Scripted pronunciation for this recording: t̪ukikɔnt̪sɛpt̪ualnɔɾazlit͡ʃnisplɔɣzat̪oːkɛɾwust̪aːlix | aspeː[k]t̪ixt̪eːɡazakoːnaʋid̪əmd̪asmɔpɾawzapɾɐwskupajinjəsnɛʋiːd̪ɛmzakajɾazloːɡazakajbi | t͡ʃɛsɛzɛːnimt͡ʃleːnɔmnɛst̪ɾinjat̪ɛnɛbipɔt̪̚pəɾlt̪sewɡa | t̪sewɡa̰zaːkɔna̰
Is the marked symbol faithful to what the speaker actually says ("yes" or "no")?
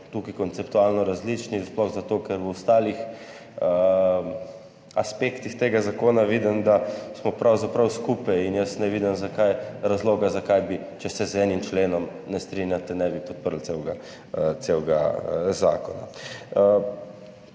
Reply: yes